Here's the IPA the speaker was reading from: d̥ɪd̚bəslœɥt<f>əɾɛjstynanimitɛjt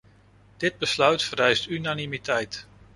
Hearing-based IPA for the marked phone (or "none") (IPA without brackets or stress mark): f